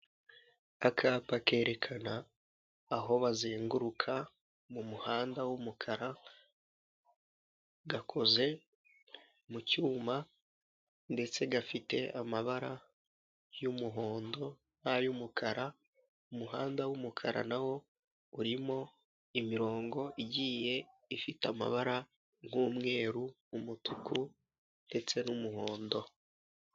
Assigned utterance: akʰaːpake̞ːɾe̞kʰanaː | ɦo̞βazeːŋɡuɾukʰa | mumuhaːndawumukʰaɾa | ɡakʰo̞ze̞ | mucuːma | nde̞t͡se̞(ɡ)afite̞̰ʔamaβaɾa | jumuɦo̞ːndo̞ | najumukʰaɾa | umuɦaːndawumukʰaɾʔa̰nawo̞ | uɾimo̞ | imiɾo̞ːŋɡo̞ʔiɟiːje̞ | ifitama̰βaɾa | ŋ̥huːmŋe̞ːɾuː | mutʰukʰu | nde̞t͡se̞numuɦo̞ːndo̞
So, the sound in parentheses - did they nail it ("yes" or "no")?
yes